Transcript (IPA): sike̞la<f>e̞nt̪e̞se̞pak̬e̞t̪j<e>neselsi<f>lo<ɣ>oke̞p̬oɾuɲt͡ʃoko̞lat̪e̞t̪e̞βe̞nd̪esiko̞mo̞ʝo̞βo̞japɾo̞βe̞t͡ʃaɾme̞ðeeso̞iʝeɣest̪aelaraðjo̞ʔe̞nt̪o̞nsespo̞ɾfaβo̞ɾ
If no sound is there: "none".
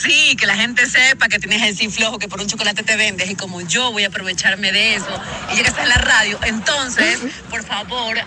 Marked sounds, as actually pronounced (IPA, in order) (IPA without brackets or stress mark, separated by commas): x, e, f, x